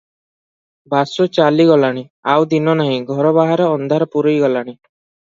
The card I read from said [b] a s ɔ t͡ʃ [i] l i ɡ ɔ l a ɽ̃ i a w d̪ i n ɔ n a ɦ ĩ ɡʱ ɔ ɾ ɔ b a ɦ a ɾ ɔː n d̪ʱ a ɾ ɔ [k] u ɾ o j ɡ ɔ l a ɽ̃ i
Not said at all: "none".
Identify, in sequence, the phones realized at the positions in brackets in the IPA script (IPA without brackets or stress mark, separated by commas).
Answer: b, a, p